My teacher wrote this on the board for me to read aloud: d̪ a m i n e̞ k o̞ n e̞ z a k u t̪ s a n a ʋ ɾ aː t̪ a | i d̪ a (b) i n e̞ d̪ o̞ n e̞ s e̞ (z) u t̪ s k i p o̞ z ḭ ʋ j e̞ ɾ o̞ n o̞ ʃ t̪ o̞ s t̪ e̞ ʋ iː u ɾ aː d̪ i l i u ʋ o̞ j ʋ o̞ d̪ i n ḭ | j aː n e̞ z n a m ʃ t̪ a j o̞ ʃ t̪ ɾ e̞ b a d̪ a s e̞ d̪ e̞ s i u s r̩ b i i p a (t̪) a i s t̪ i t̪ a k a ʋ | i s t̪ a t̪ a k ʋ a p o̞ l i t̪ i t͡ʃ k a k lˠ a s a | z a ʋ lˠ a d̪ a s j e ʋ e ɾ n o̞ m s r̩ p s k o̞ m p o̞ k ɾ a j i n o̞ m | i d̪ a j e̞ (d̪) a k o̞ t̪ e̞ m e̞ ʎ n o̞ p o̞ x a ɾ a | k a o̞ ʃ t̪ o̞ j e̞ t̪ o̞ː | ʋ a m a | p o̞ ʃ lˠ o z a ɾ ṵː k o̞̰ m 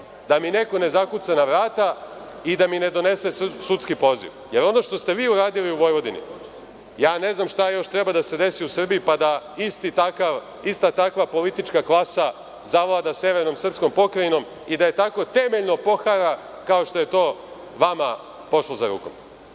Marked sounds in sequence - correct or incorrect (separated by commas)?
incorrect, incorrect, incorrect, incorrect